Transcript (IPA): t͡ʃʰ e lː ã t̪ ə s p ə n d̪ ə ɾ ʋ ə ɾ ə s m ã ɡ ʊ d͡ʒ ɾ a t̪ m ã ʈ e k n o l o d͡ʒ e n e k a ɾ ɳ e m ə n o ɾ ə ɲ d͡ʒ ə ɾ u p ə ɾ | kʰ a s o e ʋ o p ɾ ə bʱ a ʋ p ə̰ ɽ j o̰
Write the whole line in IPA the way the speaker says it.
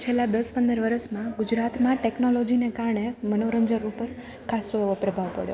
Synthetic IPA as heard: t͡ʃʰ e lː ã d̪ ə s p ə n d̪ ə ɾ ʋ ə ɾ ə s m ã ɡ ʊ d͡ʒ ɾ a t̪ m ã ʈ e k n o l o d͡ʒ i n e k a ɾ ɳ e m ə n o ɾ ə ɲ d͡ʒ ə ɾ u p ə ɾ | kʰ a s o e ʋ o p ɾ ə bʱ a ʋ p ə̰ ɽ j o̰